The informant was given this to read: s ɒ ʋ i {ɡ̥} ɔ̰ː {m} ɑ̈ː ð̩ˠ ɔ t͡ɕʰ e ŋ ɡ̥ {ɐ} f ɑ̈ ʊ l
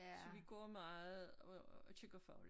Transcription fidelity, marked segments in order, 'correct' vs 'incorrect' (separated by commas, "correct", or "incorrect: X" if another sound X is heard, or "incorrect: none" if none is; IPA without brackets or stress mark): correct, correct, correct